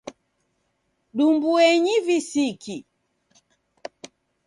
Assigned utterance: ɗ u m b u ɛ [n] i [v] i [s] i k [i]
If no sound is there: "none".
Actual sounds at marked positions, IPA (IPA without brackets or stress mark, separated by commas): ɲ, v, s, i